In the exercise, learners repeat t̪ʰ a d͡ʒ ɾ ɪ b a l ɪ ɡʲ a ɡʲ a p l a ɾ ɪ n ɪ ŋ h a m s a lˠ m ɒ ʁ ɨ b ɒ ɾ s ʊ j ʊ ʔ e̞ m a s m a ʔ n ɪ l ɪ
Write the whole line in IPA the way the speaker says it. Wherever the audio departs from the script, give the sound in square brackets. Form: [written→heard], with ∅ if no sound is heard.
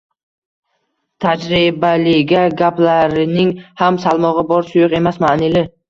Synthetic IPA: t̪ʰ a d͡ʒ ɾ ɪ b a l ɪ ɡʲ a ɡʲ a p l a ɾ ɪ n ɪ ŋ h a m s a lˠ m ɒ ʁ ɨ b ɒ ɾ s ʊ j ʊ [ʔ→q] e̞ m a s m a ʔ n ɪ l ɪ